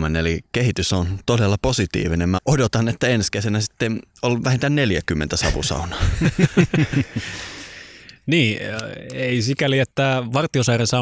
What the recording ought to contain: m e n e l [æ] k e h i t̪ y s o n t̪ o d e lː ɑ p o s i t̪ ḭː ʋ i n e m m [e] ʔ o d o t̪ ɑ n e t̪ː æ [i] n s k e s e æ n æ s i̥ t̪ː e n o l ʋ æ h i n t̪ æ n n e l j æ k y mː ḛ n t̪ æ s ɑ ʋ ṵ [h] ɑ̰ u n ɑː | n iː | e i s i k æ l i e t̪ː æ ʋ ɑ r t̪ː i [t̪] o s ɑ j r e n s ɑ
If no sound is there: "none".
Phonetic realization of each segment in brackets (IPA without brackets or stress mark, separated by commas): i, æ, e, s, none